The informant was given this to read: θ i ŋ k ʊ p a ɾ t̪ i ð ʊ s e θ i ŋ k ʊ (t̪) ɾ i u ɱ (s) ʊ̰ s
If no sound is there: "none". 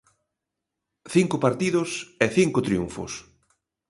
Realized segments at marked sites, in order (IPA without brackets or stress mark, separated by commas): t̪, f